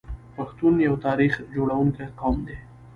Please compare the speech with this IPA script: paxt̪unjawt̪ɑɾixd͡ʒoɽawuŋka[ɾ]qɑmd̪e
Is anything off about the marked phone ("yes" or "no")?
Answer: yes